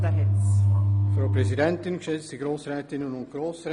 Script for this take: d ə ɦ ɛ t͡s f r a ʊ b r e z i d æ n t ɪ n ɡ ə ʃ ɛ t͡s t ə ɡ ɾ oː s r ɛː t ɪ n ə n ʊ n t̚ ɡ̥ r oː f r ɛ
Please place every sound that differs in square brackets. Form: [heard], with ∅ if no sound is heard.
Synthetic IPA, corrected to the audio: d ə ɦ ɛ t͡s f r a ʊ [p] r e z i d [ɛ] n t ɪ n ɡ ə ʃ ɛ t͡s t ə ɡ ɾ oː s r ɛː t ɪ n ə n ʊ n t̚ ɡ̥ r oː [s] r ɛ